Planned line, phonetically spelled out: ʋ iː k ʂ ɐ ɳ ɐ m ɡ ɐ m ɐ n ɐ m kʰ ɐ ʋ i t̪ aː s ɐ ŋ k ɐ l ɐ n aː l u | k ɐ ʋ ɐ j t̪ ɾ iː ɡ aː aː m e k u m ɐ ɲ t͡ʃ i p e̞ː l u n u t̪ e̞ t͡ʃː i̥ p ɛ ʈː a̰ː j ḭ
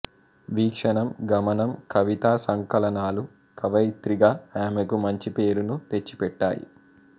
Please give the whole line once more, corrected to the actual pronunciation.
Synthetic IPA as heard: ʋ iː k ʂ ɐ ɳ ɐ m ɡ ɐ m ɐ n ɐ m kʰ ɐ ʋ i t̪ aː s ɐ ŋ k ɐ l ɐ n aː l u | k ɐ ʋ ɐ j t̪ ɾ i ɡ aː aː m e k u m ɐ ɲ t͡ʃ i p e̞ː ɾ u n u t̪ e̞ t͡ʃː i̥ p ɛ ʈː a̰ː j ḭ

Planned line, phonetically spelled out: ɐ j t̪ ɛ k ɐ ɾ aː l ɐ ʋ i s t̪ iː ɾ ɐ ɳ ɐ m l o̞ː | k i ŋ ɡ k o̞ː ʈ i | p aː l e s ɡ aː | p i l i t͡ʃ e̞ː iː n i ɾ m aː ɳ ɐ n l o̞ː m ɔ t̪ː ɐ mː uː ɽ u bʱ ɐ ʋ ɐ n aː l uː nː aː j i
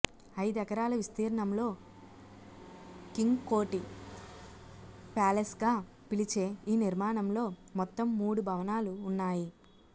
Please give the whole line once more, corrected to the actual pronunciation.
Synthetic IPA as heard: ɐ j d̪ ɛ k ɐ ɾ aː l ɐ ʋ i s t̪ iː ɾ ɐ ɳ ɐ m l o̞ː | k i ŋ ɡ k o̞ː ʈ i | p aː l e s ɡ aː | p i l i t͡ʃ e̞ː iː n i ɾ m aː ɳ ɐ m l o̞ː m ɔ t̪ː ɐ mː uː ɽ u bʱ ɐ ʋ ɐ n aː l uː nː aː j i

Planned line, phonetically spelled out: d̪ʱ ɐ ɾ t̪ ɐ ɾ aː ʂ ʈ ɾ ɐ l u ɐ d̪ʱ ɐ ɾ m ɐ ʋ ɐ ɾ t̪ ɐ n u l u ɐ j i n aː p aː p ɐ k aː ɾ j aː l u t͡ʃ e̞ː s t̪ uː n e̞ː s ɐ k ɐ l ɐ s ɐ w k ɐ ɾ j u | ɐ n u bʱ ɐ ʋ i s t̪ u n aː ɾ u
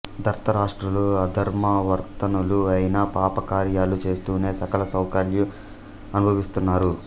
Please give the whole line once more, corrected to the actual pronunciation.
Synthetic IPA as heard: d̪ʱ ɐ ɾ t̪ ɐ ɾ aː ʂ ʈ ɾ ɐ l u ɐ d̪ʱ ɐ ɾ m ɐ ʋ ɐ ɾ t̪ ɐ n u l u ɐ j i n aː p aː p ɐ k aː ɾ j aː l u t͡ʃ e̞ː s t̪ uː n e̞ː s ɐ k ɐ l ɐ s ɐ w k ɐ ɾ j u | ɐ n u bʱ ɐ ʋ i s t̪ u nː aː ɾ u

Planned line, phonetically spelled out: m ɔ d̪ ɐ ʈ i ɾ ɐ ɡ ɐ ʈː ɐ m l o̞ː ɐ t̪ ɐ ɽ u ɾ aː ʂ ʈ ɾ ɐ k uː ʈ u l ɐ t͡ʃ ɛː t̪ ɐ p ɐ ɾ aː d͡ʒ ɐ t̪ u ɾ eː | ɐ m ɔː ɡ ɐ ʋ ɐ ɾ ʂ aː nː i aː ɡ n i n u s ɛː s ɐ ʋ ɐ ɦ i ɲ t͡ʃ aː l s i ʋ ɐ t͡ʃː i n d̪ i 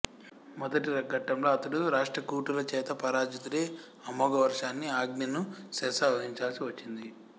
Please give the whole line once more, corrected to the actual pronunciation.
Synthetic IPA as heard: m ɔ d̪ ɐ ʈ i ɾ ɐ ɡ ɐ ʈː ɐ m l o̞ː ɐ t̪ ɐ ɽ u ɾ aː ʂ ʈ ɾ ɐ k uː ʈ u l ɐ t͡ʃ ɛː t̪ ɐ p ɐ ɾ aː d͡ʒ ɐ t̪ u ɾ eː | ɐ m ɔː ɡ ɐ ʋ ɐ ɾ ʂ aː nː i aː ɡ n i n u s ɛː s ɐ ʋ ɐ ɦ i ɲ t͡ʃ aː l s i ʋ ɐ t͡ʃː i n d̪ i

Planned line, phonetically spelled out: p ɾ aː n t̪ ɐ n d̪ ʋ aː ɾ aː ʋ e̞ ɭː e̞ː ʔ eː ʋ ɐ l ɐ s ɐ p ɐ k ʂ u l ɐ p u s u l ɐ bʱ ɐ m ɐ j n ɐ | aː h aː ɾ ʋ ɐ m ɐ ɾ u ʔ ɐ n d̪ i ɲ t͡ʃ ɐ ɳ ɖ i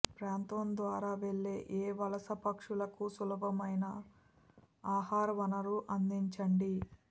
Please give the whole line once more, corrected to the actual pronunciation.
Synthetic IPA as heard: p ɾ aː n t̪ ɐ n d̪ ʋ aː ɾ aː ʋ e̞ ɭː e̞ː ʔ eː ʋ ɐ l ɐ s ɐ p ɐ k ʂ u l ɐ k u s u l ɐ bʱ ɐ m ɐ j n ɐ | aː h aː ɾ ʋ ɐ n ɐ ɾ u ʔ ɐ n d̪ i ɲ t͡ʃ ɐ ɳ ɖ i

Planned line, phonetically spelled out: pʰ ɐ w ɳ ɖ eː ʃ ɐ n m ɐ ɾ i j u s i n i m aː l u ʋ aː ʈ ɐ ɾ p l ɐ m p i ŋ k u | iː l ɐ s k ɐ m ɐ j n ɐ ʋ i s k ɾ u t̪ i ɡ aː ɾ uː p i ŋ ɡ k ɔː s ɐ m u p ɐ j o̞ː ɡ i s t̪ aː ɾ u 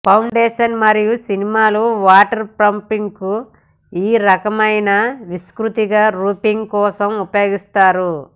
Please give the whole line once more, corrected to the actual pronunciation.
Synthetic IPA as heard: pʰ ɐ w ɳ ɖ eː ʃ ɐ n m ɐ ɾ i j u s i n i m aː l u ʋ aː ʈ ɐ ɾ p ɾ ɐ m p i ŋ k u | iː ɾ ɐ k ɐ m ɐ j n ɐ ʋ i s k ɾ u t̪ i ɡ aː ɾ uː p i ŋ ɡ k ɔː s ɐ m u p ɐ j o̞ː ɡ i s t̪ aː ɾ u

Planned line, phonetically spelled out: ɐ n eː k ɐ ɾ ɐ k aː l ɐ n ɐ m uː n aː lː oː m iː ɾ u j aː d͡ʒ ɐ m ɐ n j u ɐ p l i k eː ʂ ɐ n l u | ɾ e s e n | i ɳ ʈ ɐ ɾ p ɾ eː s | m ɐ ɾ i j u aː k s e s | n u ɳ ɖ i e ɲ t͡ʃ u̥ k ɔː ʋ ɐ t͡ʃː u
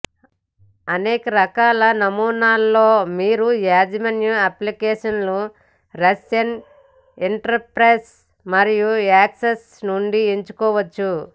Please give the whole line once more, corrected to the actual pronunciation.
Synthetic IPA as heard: ɐ n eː k ɐ ɾ ɐ k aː l ɐ n ɐ m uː n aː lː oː m iː ɾ u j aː d͡ʒ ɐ m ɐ n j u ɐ p l i k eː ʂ ɐ n l u | ɾ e s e n | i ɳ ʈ ɐ ɾ p ɾ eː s | m ɐ ɾ i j u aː k s e s | n u ɳ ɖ i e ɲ t͡ʃ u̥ k ɔː ʋ ɐ t͡ʃː u

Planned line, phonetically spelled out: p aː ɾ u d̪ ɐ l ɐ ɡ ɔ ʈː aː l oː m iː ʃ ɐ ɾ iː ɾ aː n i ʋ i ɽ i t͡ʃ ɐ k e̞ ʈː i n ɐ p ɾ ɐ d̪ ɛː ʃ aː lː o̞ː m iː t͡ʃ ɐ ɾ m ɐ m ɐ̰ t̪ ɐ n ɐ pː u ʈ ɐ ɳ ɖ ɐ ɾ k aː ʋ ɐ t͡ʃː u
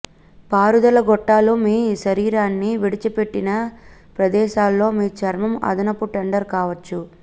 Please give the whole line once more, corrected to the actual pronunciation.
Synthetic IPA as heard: p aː ɾ u d̪ ɐ l ɐ ɡ ɔ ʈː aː l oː m iː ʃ ɐ ɾ iː ɾ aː nː i ʋ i ɽ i t͡ʃ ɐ p e̞ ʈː i n ɐ p ɾ ɐ d̪ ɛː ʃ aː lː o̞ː m iː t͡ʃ ɐ ɾ m ɐ m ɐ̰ d̪ ɐ n ɐ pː u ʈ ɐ ɳ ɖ ɐ ɾ k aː ʋ ɐ t͡ʃː u

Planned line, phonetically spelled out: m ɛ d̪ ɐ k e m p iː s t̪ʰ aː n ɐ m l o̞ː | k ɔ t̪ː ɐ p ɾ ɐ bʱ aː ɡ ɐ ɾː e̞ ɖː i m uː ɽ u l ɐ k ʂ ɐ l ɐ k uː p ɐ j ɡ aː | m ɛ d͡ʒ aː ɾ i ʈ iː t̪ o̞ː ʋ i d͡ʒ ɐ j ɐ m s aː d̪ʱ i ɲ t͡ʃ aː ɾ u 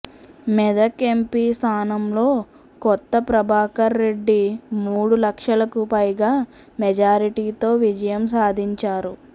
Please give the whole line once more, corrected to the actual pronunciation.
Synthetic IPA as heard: m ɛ d̪ ɐ k e m p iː s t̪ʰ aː n ɐ m l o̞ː | k ɔ t̪ː ɐ p ɾ ɐ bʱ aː k ɐ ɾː e̞ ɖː i m uː ɽ u l ɐ k ʂ ɐ l ɐ k u p ɐ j ɡ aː | m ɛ d͡ʒ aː ɾ i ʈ iː t̪ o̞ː ʋ i d͡ʒ ɐ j ɐ m s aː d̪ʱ i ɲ t͡ʃ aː ɾ u

